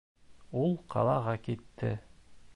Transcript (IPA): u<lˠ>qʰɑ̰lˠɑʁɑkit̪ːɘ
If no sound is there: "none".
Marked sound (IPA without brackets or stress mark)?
lˠ